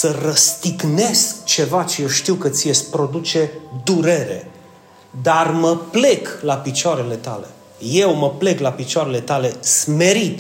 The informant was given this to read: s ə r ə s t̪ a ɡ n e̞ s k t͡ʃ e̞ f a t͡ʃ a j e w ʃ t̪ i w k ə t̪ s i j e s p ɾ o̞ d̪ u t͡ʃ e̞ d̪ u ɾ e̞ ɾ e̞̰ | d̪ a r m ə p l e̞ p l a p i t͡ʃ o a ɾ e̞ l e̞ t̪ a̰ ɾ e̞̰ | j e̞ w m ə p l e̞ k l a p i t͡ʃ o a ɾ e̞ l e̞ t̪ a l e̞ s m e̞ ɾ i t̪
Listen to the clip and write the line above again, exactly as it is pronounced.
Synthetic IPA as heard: s ə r ə s t̪ i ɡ n e̞ s k t͡ʃ e̞ v a t͡ʃ e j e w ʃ t̪ i w k ə t̪ s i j e s p ɾ o̞ d̪ u t͡ʃ e̞ d̪ u ɾ e̞ ɾ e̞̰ | d̪ a r m ə p l e̞ k l a p i t͡ʃ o a ɾ e̞ l e̞ t̪ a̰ l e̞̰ | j e̞ w m ə p l e̞ k l a p i t͡ʃ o a ɾ e̞ l e̞ t̪ a l e̞ s m e̞ ɾ i t̪